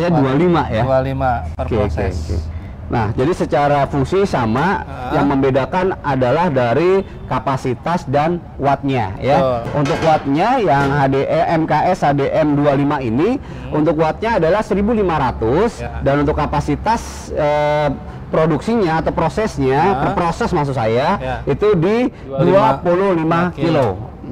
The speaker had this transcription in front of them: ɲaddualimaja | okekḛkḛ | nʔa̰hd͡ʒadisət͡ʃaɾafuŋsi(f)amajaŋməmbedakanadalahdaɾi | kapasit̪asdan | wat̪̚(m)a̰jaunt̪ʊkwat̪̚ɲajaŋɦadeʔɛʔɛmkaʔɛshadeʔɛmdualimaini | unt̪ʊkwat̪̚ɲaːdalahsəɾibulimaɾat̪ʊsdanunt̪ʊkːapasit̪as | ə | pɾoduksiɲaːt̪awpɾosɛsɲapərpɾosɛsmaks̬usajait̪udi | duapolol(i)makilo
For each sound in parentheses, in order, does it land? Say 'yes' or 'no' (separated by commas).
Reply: no, no, yes